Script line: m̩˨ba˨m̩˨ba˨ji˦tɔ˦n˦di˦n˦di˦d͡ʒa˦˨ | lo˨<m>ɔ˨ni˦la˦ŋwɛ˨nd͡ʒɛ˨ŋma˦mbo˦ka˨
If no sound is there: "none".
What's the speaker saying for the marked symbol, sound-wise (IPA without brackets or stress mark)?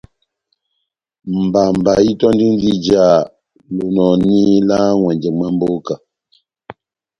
n